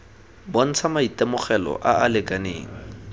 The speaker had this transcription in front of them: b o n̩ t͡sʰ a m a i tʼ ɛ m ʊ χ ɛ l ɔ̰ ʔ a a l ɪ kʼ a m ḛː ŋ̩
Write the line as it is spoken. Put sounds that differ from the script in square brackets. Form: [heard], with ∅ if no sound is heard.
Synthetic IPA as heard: b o n̩ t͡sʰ a m a i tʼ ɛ m ʊ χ ɛ l ɔ̰ ʔ a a l ɪ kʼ a [n] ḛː ŋ̩